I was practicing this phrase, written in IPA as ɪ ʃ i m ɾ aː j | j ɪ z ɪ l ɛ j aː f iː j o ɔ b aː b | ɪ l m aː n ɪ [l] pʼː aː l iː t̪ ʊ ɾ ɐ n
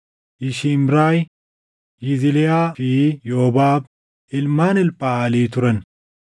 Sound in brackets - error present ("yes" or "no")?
no